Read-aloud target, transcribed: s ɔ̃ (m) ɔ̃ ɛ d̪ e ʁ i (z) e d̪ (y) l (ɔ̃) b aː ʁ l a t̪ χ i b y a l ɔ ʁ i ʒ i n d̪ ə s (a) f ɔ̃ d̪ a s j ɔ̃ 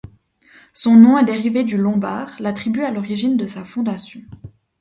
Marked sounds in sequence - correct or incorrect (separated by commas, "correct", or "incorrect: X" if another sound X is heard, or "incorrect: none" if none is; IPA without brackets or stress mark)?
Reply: incorrect: n, incorrect: v, correct, correct, correct